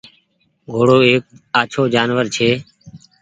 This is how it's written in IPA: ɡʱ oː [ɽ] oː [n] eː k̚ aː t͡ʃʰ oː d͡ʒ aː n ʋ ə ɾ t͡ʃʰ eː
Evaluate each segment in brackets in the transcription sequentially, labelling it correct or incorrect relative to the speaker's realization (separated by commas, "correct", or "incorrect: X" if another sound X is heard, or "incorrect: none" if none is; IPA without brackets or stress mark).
correct, incorrect: none